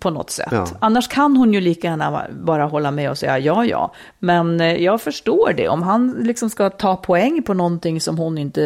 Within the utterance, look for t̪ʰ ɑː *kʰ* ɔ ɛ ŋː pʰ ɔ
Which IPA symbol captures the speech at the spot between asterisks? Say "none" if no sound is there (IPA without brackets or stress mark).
pʰ